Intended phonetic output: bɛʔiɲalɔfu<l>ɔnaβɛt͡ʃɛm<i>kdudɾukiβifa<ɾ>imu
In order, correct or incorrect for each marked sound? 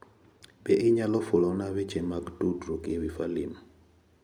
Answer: correct, incorrect: a, incorrect: l

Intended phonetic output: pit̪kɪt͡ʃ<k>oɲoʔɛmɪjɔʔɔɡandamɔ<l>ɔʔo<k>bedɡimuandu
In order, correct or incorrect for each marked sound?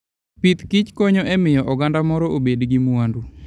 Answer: correct, incorrect: ɾ, incorrect: none

